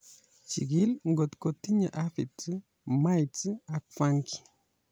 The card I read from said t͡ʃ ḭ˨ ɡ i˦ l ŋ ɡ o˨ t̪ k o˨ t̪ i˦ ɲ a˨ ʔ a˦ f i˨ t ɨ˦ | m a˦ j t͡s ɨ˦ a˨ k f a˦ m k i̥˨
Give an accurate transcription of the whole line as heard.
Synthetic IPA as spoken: t͡ʃ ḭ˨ ɡ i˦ l ŋ ɡ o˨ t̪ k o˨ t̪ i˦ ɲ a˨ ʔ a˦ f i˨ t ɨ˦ | m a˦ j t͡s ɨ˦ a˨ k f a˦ ŋ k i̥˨